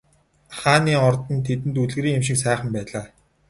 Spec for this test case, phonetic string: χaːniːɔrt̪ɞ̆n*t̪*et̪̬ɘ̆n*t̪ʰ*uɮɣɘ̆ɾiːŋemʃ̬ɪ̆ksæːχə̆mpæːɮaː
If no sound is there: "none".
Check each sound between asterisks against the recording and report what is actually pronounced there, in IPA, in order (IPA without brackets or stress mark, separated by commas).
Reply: t̪ʰ, t̪